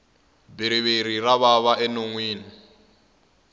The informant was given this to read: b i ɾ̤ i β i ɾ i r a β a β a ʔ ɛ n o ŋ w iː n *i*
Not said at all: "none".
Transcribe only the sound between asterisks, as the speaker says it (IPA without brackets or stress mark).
i